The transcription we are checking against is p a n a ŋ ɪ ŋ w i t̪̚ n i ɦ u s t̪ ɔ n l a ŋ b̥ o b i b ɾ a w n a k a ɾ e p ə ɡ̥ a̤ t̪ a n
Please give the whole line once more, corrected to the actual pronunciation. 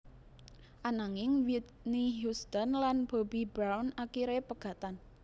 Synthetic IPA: ʔ a n a ŋ ɪ ŋ w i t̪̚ n i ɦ u s t̪ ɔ n l a n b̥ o b i b ɾ a w n a k i ɾ e p ə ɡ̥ a̤ t̪ a n